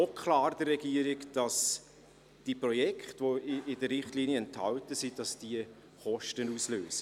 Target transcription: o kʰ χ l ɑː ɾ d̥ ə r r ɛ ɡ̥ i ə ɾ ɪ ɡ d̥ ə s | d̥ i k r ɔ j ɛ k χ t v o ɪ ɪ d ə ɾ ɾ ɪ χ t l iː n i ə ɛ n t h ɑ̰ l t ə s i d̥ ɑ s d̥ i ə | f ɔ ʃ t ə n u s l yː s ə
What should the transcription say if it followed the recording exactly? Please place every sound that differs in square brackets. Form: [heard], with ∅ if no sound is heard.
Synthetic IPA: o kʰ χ l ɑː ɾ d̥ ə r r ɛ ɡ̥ i ə ɾ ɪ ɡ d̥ [ɑ] s | d̥ i [p] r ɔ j ɛ k χ t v o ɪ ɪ d ə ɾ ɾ ɪ χ t l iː n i ə ɛ n t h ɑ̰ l t ə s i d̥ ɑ s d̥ i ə | [χ] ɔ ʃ t ə n u s l [øː] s ə